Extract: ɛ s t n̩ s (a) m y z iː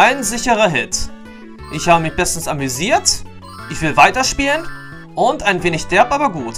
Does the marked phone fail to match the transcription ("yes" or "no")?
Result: no